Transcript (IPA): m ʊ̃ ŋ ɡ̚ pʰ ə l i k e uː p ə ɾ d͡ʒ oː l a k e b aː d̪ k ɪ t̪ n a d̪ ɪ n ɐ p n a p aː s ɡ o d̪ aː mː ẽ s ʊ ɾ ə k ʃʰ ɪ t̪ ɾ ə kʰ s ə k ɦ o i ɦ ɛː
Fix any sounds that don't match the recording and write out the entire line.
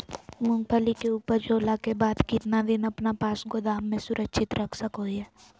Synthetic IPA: m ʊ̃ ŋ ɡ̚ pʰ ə l i k e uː p ə ɾ d͡ʒ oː l a k e b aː d̪ k ɪ t̪ n a d̪ ɪ n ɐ p n a p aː s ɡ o d̪ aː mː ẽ s ʊ ɾ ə k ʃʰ ɪ t̪ ɾ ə kʰ s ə k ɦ o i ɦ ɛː